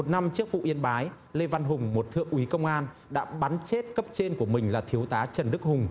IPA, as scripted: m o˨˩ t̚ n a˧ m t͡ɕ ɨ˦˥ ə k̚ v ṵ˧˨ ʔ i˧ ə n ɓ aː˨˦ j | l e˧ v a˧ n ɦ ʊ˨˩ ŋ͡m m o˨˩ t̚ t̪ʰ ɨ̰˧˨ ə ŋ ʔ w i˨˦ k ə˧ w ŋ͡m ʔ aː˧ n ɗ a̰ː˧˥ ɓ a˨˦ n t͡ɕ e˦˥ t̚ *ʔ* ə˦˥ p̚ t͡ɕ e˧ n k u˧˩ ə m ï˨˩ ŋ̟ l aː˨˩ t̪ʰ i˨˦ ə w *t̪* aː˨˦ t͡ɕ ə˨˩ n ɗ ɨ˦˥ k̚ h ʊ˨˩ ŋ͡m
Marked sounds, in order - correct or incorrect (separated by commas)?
incorrect, correct